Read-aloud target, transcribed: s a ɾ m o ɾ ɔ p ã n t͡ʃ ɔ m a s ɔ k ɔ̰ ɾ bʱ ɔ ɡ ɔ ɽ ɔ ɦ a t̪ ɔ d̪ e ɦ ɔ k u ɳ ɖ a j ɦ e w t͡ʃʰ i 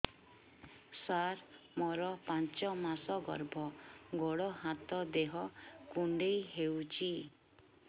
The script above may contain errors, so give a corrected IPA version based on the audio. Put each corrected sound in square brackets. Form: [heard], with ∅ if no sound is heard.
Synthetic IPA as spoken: s a ɾ m [ɔ] ɾ ɔ p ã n t͡ʃ ɔ m a s ɔ [ɡ] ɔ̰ ɾ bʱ ɔ ɡ ɔ ɽ ɔ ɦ a t̪ ɔ d̪ e ɦ ɔ k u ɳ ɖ [e] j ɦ e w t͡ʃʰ i